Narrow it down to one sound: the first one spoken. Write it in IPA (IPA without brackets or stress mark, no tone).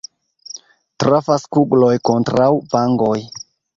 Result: t